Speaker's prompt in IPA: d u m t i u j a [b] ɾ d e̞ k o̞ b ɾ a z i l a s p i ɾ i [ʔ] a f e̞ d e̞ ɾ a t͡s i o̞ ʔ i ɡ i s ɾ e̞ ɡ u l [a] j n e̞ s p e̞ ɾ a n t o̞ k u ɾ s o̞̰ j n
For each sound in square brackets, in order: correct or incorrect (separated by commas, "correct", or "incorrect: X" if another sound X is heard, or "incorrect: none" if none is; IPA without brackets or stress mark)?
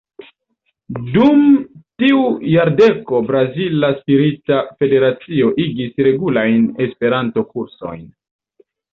incorrect: none, incorrect: t, correct